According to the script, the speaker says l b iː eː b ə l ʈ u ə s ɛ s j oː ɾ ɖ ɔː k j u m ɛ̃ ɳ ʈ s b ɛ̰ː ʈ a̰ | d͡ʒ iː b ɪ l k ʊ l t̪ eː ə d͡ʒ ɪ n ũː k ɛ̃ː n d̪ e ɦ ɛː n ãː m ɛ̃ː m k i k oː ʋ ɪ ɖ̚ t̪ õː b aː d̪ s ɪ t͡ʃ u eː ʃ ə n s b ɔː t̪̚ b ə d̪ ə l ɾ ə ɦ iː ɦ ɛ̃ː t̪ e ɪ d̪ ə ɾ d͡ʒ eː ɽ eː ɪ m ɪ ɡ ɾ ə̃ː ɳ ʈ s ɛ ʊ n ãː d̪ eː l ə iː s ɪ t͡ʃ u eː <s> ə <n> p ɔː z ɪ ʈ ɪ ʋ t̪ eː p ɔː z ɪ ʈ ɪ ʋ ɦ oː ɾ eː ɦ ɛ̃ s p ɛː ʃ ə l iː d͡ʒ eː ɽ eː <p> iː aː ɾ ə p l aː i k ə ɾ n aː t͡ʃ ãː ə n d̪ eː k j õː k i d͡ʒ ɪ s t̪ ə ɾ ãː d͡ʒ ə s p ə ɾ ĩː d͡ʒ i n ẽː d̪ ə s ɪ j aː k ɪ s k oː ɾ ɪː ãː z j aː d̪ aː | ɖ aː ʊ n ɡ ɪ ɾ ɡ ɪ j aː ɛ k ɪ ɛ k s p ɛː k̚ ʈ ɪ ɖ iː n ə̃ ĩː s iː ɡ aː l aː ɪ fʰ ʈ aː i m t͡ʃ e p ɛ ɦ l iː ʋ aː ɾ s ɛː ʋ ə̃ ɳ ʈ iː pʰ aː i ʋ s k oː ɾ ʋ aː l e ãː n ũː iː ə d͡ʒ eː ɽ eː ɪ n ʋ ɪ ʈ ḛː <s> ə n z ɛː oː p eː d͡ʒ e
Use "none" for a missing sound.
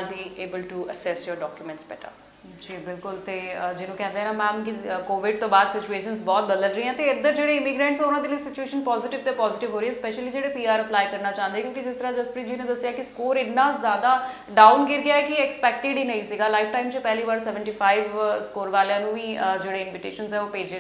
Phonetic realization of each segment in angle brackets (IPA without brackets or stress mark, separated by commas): ʃ, n, p, ʃ